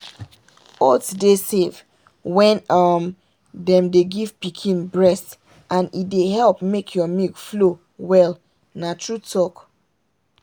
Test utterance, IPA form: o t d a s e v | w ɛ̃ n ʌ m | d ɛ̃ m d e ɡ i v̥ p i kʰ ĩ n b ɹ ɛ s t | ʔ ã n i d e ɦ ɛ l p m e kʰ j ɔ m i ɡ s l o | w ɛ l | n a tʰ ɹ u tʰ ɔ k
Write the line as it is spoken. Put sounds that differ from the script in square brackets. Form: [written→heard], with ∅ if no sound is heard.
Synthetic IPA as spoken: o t d [a→e] s e v | w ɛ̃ n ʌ m | d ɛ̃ m d e ɡ i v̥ p i kʰ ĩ n b ɹ ɛ s t | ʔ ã n i d e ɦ ɛ l p m e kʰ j ɔ m i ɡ [s→f] l o | w ɛ l | n a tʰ ɹ u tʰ ɔ k